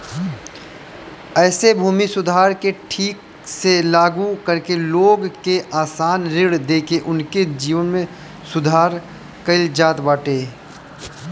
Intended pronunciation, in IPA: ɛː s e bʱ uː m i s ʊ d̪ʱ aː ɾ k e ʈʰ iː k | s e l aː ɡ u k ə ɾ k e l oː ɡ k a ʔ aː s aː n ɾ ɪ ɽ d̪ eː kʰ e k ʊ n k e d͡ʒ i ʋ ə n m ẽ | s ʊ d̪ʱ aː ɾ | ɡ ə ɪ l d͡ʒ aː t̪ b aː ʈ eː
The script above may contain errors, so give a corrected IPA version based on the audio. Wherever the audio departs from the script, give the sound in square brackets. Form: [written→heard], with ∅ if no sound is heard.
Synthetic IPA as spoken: ɛː s e bʱ uː m i s ʊ d̪ʱ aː ɾ k e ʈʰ iː k | s e l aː ɡ u k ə ɾ k e l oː ɡ k [a→e] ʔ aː s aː n ɾ ɪ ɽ d̪ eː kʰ e [k→ʔ] ʊ n k e d͡ʒ [i→iː] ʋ ə n m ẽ | s ʊ d̪ʱ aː ɾ | [ɡ→k] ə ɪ l d͡ʒ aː t̪ b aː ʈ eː